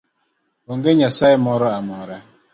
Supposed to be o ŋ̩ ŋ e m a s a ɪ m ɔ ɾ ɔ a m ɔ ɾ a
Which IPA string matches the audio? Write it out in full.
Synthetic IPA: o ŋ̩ ɡ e ɲ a s a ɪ m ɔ ɾ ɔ a m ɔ ɾ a